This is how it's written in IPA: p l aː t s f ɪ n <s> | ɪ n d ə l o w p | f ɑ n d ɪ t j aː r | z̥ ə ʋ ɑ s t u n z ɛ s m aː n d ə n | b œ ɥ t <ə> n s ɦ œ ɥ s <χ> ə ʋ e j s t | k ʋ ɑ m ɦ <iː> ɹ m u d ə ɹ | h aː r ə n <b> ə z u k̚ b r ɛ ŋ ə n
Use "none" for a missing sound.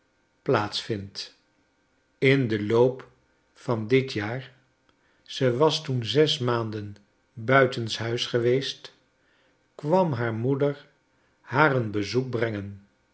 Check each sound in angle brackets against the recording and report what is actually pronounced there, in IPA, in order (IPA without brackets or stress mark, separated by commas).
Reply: t, ə, χ, aː, b